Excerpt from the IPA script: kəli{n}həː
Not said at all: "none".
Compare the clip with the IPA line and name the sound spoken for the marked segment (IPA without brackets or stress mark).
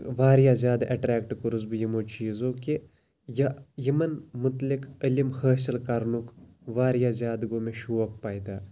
m